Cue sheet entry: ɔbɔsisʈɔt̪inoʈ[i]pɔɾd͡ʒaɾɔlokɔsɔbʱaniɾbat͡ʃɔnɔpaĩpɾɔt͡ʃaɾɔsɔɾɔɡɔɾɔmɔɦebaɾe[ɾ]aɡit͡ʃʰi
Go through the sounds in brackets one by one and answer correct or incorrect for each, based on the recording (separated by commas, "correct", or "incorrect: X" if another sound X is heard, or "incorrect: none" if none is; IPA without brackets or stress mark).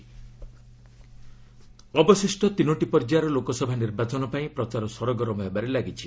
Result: correct, incorrect: l